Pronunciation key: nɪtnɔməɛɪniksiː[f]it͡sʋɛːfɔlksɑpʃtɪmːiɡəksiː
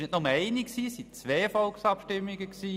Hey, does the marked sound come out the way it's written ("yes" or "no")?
no